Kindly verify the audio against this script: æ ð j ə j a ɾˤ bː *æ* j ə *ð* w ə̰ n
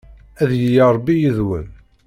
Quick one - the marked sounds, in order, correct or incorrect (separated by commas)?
incorrect, correct